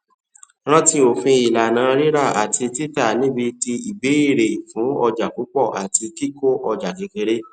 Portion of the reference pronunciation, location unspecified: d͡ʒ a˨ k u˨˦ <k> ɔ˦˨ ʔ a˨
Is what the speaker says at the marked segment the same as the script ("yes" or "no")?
no